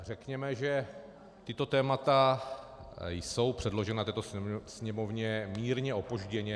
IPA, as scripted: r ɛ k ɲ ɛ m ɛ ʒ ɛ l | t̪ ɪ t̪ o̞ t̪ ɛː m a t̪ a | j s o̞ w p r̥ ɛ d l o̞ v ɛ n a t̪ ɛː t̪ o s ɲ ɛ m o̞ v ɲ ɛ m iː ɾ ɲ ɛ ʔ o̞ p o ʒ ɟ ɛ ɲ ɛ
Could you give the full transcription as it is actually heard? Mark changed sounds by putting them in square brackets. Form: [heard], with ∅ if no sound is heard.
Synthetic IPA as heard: r ɛ k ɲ ɛ m ɛ ʒ ɛ [∅] | t̪ ɪ t̪ o̞ t̪ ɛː m a t̪ a | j s o̞ w p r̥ ɛ d l o̞ [ʒ] ɛ n a t̪ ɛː t̪ o s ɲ ɛ m o̞ v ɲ ɛ m iː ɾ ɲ ɛ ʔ o̞ p o ʒ ɟ ɛ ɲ ɛ